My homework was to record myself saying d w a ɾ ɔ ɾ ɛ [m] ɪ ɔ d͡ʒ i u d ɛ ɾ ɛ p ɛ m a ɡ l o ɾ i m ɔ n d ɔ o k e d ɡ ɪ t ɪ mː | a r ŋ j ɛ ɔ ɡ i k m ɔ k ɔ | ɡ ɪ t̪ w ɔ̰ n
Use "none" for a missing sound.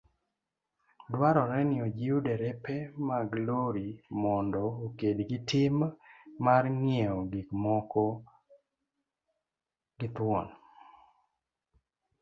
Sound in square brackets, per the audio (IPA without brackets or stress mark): n